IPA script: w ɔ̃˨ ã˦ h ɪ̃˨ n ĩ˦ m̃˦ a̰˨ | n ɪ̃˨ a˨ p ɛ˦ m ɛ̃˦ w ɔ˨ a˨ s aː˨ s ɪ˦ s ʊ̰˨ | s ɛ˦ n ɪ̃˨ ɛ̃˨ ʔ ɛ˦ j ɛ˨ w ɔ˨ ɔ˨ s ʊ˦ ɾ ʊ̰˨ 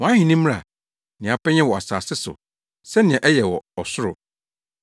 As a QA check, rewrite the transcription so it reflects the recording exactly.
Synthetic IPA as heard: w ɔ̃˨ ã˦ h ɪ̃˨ n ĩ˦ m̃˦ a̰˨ | n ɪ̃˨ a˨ p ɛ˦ ɲ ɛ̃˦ w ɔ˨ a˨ s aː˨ s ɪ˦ s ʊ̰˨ | s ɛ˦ n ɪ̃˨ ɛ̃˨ ʔ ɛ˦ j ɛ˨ w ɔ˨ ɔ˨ s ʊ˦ ɾ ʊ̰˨